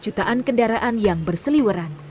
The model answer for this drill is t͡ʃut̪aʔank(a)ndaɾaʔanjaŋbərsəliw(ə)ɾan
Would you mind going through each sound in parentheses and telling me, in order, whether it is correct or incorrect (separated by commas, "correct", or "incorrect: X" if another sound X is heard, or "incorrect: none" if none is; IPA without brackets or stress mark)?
incorrect: ə, correct